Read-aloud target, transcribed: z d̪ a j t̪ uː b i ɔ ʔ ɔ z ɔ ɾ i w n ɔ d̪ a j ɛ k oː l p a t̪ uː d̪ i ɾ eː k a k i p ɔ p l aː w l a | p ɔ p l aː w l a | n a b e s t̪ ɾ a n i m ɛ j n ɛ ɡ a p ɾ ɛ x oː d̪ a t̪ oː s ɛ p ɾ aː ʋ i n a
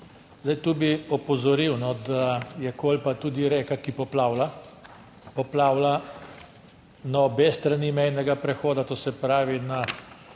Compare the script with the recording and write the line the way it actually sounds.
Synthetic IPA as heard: z d̪ a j t̪ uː b i ɔ p ɔ z ɔ ɾ i w n ɔ d̪ a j ɛ k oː l p a t̪ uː d̪ i ɾ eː k a k i p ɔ p l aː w l a | p ɔ p l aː w l a | n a b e s t̪ ɾ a n i m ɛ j n ɛ ɡ a p ɾ ɛ x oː d̪ a t̪ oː s ɛ p ɾ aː ʋ i n a